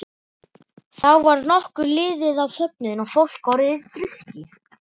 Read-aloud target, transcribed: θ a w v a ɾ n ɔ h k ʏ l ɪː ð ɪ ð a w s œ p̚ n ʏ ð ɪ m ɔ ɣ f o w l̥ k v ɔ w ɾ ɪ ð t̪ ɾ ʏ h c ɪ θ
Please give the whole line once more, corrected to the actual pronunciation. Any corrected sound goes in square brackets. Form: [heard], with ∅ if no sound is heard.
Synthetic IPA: θ a w v a ɾ n ɔ h k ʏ l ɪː ð ɪ ð a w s œ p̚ n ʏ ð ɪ [n] ɔ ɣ f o w l̥ k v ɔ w ɾ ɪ ð t̪ ɾ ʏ h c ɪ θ